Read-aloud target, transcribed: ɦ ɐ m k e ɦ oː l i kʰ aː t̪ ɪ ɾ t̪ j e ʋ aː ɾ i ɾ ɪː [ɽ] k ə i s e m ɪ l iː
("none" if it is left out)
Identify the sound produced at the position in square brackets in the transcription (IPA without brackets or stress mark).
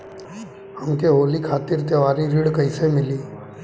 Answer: ɽ